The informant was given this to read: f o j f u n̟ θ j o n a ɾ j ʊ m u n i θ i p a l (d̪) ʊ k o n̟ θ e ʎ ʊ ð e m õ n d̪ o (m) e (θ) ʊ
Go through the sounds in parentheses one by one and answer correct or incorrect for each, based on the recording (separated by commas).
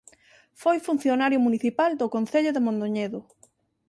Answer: correct, incorrect, incorrect